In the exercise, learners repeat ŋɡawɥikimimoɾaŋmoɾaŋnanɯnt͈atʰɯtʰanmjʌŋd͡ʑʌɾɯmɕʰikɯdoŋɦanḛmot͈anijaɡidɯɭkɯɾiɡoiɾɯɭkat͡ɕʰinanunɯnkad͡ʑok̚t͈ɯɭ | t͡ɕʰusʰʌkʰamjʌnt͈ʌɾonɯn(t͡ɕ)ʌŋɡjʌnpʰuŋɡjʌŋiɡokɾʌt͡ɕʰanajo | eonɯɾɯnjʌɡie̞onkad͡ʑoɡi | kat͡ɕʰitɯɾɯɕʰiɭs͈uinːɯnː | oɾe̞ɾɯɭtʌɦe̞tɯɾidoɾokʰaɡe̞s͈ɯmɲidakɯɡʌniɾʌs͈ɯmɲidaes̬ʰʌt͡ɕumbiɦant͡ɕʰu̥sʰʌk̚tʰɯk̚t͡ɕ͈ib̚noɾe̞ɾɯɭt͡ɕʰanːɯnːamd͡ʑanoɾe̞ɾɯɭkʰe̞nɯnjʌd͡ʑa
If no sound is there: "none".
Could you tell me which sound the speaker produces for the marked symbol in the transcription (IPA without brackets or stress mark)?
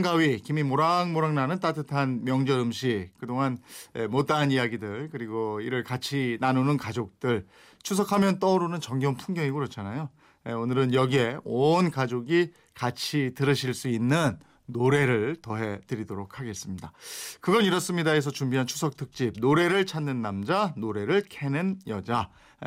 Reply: t͡ɕ